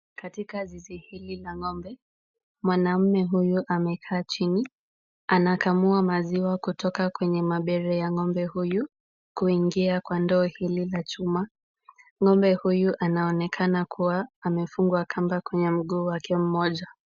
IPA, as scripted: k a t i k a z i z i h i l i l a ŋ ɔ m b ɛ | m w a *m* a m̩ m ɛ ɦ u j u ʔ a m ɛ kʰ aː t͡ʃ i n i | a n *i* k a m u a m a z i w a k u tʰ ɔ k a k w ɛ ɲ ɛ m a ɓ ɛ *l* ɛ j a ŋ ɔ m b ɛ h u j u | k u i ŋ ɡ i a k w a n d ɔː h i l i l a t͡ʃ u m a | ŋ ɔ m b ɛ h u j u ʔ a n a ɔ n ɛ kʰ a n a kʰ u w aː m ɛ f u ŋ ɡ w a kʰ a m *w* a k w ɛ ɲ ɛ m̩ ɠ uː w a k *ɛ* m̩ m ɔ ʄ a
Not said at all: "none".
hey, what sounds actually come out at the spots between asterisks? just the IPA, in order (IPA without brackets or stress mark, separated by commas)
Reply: n, a, ɾ, b, ɛ